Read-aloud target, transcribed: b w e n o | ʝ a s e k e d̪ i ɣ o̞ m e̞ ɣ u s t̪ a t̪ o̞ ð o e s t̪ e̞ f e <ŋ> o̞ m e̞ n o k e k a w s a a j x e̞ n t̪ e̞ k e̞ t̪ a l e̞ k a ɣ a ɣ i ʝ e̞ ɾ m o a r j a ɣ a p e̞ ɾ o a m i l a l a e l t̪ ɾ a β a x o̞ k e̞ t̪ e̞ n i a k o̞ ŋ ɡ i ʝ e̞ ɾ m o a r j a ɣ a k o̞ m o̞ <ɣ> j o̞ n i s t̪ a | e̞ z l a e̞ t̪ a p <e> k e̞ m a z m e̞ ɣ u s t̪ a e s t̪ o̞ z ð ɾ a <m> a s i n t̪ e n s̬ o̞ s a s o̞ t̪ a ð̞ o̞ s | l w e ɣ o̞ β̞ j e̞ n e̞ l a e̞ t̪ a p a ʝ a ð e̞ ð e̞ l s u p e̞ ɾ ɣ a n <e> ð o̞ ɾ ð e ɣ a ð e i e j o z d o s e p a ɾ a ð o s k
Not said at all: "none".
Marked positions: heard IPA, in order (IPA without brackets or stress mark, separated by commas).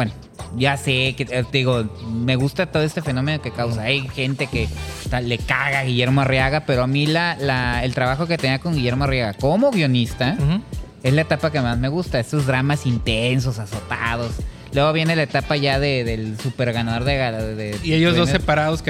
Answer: n, ɣ, a, m, a